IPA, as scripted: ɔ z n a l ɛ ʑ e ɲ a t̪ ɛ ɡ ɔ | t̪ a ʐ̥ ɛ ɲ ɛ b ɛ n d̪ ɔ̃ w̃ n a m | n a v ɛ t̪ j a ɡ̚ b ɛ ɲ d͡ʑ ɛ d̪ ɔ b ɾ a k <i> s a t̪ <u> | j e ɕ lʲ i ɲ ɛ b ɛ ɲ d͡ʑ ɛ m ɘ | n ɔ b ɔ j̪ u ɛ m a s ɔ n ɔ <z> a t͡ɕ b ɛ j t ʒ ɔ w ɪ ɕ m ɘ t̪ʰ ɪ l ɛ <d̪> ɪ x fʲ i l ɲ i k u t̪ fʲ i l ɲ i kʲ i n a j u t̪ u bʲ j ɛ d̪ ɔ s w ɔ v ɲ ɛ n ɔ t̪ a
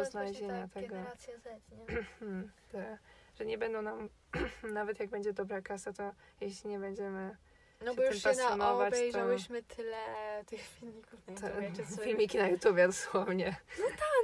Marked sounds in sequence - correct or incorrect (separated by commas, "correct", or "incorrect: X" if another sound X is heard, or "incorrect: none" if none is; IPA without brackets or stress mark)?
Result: incorrect: a, incorrect: ɔ, incorrect: v, incorrect: t̪